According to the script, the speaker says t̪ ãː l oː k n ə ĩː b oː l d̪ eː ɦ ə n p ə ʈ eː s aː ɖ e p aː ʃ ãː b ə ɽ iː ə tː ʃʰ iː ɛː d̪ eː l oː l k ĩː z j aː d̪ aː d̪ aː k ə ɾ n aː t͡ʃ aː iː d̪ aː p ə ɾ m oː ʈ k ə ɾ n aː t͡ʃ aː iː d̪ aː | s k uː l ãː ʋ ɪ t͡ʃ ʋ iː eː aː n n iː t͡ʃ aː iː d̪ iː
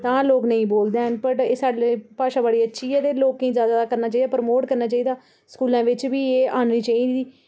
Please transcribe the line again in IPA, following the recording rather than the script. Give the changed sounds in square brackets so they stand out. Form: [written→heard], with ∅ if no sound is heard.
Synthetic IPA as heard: t̪ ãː l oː k n ə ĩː b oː l d̪ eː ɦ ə n p ə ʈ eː s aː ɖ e p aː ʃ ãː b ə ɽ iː ə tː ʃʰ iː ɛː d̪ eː l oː [l→∅] k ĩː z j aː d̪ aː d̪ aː k ə ɾ n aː t͡ʃ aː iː d̪ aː p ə ɾ m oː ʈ k ə ɾ n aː t͡ʃ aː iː d̪ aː | s k uː l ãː ʋ ɪ t͡ʃ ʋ iː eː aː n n iː t͡ʃ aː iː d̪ iː